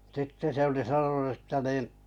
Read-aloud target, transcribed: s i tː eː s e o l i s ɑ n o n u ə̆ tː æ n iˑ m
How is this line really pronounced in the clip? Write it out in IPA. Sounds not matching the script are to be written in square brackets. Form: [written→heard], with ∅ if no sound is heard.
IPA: s i tː [eː→e] s e o l i s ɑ n o n u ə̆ tː æ n iˑ [m→n]